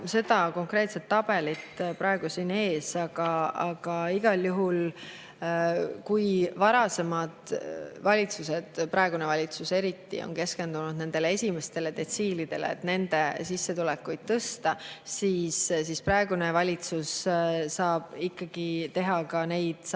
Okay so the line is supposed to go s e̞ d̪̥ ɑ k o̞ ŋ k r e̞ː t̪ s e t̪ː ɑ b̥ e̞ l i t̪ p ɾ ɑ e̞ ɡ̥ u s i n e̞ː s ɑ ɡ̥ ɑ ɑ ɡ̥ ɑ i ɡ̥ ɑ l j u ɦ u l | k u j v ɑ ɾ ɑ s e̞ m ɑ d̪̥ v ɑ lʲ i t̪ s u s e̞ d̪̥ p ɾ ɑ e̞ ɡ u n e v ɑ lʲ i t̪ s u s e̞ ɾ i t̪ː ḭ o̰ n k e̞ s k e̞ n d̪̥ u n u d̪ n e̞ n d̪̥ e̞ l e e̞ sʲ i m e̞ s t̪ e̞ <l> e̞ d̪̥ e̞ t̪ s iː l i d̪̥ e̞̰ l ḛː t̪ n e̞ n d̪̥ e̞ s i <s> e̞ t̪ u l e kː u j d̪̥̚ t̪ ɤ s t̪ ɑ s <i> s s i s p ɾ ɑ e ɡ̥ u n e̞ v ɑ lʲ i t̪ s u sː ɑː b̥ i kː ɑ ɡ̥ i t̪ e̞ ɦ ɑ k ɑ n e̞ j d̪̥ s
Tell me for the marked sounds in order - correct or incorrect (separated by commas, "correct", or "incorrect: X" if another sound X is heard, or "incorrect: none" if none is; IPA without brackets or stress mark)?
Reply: correct, incorrect: sː, incorrect: iː